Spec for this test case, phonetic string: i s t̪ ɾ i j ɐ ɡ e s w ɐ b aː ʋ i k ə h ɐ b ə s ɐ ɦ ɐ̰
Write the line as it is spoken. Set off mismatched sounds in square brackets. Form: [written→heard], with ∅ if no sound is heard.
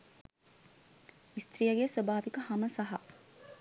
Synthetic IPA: i s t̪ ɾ i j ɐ ɡ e s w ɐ b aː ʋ i k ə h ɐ [b→m] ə s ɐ ɦ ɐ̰

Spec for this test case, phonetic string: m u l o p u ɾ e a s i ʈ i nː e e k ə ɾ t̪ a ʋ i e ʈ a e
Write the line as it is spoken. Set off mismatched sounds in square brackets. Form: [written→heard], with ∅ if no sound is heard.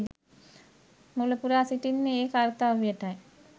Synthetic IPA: m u l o p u ɾ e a s i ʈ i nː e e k [ə→a] ɾ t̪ a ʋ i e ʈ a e

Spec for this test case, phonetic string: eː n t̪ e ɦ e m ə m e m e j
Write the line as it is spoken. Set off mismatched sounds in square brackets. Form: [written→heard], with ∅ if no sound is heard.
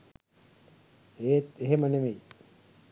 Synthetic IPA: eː [n→∅] t̪ e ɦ e m ə [m→n] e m e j

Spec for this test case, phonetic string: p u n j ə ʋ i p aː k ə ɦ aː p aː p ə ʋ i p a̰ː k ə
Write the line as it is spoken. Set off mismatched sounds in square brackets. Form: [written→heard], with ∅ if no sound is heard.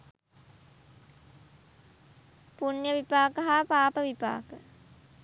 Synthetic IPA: p u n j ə ʋ i p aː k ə ɦ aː p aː p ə ʋ i p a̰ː k ə

